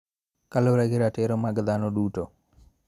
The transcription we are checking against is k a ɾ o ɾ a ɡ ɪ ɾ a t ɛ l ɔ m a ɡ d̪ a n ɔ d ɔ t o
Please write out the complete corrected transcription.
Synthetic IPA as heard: k a l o ɾ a ɡ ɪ ɾ a t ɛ ɾ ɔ m a ɡ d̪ a n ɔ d u t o